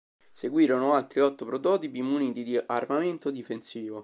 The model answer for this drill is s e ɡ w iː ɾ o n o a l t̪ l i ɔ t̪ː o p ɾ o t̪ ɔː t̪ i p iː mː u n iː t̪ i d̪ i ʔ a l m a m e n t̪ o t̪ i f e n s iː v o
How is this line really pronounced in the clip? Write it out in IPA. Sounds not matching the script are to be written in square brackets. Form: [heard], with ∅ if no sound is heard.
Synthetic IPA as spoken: s e ɡ w iː ɾ o n o a l t̪ [ɾ] i ɔ t̪ː o p ɾ o t̪ ɔː t̪ i p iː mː u n iː t̪ i d̪ i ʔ a [r] m a m e n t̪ o [d̪] i f e n s iː v o